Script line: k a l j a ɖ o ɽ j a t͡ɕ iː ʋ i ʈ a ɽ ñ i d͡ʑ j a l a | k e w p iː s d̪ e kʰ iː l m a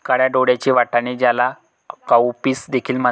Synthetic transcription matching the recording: k a ɽ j a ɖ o ɽ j a t͡ɕ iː ʋ a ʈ a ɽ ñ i d͡ʑ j a l a | k a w p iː s d̪ e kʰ iː l m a

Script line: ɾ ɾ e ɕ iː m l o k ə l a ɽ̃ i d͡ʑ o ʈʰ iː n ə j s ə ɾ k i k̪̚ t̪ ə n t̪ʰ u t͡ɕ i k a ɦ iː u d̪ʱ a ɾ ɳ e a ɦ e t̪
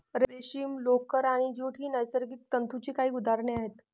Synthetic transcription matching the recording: ɾ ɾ e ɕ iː m l o k ə ɾ a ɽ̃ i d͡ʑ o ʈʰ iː n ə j s ə ɾ ɡ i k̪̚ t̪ ə n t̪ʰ u t͡ɕ i k a ɦ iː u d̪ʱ a ɾ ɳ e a ɦ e t̪

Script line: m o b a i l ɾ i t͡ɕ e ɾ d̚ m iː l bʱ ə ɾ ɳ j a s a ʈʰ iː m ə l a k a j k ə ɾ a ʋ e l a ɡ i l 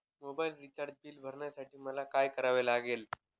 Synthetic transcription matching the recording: m o b a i l ɾ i t͡ɕ a ɾ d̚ b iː l bʱ ə ɾ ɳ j a s a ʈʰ iː m ə l a k a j k ə ɾ a ʋ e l a ɡ e l

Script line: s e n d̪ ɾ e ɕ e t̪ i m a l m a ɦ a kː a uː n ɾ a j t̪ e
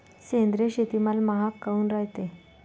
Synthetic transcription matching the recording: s e n d̪ ɾ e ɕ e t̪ i m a l m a ɦ a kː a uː n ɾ a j t̪ e

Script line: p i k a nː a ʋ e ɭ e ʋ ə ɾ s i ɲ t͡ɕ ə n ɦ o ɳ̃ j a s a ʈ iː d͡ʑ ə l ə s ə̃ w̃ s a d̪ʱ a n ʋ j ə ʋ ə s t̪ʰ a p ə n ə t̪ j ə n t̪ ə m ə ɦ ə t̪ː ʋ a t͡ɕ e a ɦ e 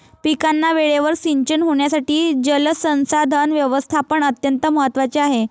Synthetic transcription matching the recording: p i k a nː a ʋ e ɭ e ʋ ə ɾ s i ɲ t͡ɕ ə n ɦ o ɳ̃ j a s a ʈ iː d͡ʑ ə l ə s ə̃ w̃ s a d̪ʱ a n ʋ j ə ʋ ə s t̪ʰ a p ə ɳ ə t̪ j ə n t̪ ə m ə ɦ ə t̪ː ʋ a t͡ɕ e a ɦ e

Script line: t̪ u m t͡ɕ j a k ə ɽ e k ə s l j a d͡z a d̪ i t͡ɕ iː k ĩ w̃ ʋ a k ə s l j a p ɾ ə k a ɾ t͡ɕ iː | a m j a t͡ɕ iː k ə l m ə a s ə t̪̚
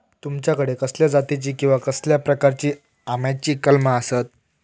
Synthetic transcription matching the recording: t̪ u m t͡ɕ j a k ə ɽ e k ə s l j a d͡z a t̪ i t͡ɕ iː k ĩ w̃ ʋ a k ə s l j a p ɾ ə k a ɾ t͡ɕ iː | a m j a t͡ɕ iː k ə l m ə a s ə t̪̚

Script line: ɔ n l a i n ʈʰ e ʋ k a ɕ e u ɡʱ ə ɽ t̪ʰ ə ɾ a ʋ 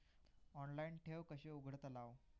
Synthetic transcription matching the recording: ɔ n l a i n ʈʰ e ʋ k ə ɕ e u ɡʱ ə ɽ t̪ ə l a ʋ

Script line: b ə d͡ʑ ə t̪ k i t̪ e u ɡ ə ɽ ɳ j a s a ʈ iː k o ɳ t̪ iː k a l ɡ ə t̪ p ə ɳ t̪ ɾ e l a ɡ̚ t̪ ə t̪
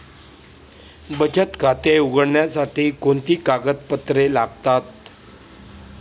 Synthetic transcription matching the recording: b ə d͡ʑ ə t̪ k a t̪ e u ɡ ə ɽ ɳ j a s a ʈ iː k o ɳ t̪ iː k a ɡ ə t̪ p ə t̪ ɾ e l a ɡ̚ t̪ a t̪

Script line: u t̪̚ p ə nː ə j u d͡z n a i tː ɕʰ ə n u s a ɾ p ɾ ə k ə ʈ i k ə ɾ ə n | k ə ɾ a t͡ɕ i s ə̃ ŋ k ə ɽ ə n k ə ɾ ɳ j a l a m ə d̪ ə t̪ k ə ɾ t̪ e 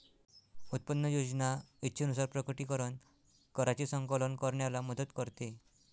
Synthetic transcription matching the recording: u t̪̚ p ə nː ə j o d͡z n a i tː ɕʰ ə n u s a ɾ p ɾ ə k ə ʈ i k ə ɾ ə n | k ə ɾ a t͡ɕ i s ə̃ ŋ k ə l ə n k ə ɾ ɳ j a l a m ə d̪ ə t̪ k ə ɾ t̪ e

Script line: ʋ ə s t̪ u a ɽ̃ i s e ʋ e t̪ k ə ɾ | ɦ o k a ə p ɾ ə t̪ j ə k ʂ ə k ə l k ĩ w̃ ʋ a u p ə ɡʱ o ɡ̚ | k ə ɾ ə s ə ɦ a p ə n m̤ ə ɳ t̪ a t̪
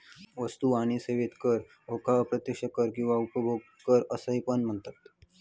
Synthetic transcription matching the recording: ʋ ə s t̪ u a ɽ̃ i s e ʋ e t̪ k ə ɾ | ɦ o k a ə p ɾ ə t̪ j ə k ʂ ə k ə ɾ k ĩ w̃ ʋ a u p ə bʱ o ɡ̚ | k ə ɾ ə s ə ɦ i p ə n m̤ ə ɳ t̪ a t̪

